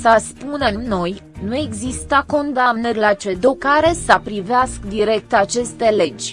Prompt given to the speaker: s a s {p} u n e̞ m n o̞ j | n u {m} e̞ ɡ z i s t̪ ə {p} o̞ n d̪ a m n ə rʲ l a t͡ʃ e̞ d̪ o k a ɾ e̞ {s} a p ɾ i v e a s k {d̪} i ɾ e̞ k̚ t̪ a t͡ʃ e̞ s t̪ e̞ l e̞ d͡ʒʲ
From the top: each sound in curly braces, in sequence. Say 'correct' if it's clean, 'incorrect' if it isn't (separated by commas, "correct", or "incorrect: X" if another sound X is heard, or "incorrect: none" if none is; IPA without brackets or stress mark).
correct, incorrect: none, incorrect: k, correct, correct